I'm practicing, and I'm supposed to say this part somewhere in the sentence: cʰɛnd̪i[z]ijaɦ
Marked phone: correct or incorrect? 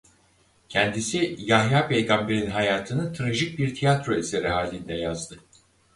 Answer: incorrect